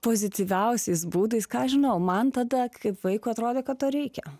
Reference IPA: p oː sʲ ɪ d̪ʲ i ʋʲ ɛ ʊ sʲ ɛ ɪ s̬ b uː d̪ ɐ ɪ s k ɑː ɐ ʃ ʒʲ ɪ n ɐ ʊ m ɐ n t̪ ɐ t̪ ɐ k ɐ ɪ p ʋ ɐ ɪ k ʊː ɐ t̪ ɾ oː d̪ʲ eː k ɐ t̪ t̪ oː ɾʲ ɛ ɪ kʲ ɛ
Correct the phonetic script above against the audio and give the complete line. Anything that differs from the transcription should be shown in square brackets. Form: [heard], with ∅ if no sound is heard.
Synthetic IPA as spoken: p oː [zʲ] ɪ [t̪ʲ] i ʋʲ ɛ ʊ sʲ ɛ ɪ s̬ b uː d̪ ɐ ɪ s k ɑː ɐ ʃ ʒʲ ɪ n ɐ ʊ m ɐ n t̪ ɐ [d̪] ɐ k ɐ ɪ p ʋ ɐ ɪ k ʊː ɐ t̪ ɾ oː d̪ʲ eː k ɐ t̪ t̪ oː ɾʲ ɛ ɪ kʲ ɛ